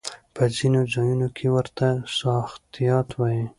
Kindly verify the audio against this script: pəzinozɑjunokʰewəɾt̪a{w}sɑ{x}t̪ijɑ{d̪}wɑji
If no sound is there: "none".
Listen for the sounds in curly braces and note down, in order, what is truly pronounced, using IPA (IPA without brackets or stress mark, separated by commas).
none, x, t̪